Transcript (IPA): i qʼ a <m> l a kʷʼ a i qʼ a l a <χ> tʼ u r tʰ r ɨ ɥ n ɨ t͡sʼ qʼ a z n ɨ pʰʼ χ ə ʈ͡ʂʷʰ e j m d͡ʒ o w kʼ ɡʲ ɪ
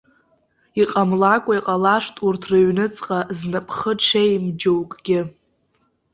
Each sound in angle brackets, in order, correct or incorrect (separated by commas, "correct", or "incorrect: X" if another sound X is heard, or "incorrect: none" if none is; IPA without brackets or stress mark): correct, incorrect: ʂ